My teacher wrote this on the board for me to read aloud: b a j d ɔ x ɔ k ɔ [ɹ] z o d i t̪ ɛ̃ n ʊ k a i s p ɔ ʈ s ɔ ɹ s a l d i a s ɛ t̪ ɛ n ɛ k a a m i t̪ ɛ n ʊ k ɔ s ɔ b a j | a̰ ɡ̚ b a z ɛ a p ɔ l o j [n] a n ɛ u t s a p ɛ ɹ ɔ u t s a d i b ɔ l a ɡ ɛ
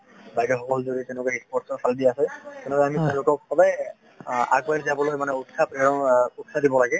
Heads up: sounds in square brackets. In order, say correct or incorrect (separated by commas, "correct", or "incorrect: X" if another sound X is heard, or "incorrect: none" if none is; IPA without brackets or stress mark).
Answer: incorrect: l, incorrect: m